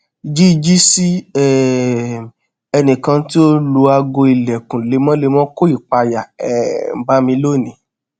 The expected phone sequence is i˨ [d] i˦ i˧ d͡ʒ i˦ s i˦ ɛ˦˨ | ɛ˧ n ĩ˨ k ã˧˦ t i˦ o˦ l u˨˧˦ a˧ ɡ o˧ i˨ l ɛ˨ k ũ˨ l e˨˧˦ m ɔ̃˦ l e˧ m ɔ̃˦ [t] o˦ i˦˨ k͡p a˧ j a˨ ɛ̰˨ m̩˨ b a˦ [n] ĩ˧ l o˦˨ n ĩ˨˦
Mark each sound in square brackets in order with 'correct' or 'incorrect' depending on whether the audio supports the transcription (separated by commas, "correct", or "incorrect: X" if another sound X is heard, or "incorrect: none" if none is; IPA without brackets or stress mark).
incorrect: d͡ʒ, incorrect: k, incorrect: m